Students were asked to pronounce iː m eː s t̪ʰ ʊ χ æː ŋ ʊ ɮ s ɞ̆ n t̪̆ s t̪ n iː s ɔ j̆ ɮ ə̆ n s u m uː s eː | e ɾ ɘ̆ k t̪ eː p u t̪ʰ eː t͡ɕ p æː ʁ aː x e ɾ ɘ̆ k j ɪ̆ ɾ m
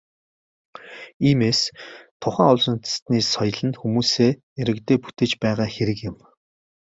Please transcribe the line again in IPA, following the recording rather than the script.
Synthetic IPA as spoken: iː m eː s t̪ʰ ʊ χ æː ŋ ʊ ɮ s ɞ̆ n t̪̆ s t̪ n iː s ɔ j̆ ɮ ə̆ n x u m uː s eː | e ɾ ɘ̆ k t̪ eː p u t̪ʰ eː t͡ɕ p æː ʁ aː x e ɾ ɘ̆ k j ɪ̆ m

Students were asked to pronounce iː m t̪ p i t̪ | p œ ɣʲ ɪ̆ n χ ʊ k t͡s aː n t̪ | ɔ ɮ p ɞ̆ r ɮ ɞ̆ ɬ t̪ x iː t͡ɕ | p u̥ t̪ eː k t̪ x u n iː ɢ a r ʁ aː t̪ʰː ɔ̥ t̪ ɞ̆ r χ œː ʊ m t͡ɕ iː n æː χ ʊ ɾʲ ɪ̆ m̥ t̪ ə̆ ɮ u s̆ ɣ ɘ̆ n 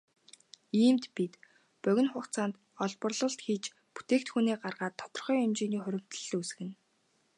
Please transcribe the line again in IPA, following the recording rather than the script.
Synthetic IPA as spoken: iː m t̪ p i t̪ | p œ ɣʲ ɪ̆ n χ ʊ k t͡s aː n t̪ | ɔ ɮ p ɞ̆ r ɮ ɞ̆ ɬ t̪ x iː t͡ɕ | p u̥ t̪ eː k t̪ x u n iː ɢ a r ʁ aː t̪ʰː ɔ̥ t̪ ɞ̆ r χ œː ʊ m t͡ɕ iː n iː χ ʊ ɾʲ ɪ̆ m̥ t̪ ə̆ ɮ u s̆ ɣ ɘ̆ n

